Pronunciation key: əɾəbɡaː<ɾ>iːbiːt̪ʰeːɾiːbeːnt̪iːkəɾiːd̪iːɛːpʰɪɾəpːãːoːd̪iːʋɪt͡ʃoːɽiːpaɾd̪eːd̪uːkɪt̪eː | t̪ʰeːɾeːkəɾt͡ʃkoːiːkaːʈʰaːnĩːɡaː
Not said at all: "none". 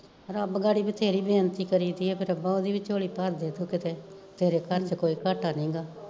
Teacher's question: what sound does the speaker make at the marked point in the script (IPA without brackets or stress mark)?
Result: ɽ